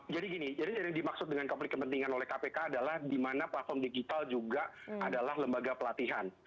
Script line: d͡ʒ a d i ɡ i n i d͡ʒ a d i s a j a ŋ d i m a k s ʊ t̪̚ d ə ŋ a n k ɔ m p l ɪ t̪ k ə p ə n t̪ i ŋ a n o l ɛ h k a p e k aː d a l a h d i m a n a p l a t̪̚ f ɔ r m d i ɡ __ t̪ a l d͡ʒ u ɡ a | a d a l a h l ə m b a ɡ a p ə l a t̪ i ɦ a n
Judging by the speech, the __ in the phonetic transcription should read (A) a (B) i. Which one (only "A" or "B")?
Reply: B